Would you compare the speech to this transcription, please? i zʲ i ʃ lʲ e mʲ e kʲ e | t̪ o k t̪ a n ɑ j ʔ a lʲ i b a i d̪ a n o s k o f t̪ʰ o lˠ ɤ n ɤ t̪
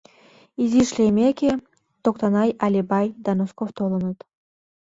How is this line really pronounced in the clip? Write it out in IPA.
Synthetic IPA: i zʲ i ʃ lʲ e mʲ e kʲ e | t̪ o k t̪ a n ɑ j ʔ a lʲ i b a j d̪ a n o s k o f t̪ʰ o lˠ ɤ n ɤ t̪